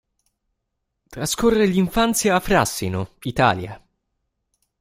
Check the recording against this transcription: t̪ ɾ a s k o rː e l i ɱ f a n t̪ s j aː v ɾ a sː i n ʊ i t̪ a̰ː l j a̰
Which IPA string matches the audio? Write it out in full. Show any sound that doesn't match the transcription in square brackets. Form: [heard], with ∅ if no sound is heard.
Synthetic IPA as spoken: t̪ ɾ a s k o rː e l i ɱ f a n t̪ s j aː [f] ɾ a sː i n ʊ i t̪ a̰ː l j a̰